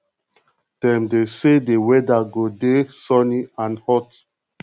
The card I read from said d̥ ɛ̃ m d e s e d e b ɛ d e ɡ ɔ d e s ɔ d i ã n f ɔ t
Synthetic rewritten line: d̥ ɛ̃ m d e s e d e w ɛ d a ɡ o d e s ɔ n i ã n h ɔ t